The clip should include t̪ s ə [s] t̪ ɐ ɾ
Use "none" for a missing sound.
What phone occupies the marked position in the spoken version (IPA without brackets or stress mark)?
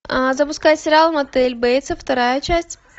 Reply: f